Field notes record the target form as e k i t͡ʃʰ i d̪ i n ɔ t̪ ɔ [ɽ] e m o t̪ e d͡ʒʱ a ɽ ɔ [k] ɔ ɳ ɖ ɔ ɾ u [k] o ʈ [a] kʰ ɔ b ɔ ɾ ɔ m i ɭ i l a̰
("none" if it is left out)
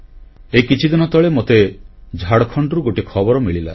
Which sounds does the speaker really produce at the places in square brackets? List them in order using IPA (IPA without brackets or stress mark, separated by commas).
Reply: ɭ, kʰ, ɡ, i